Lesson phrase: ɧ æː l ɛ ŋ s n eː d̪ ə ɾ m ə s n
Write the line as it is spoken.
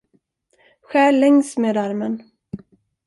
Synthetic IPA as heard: ɧ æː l ɛ ŋ s m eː d̪ a ɾ m ə n